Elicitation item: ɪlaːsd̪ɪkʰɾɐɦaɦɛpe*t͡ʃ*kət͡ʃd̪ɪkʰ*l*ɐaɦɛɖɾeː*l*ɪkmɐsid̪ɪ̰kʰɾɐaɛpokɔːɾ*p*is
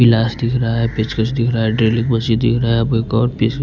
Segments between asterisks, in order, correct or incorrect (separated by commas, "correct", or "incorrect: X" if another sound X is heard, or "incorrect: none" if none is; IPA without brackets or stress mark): correct, incorrect: ɾ, correct, correct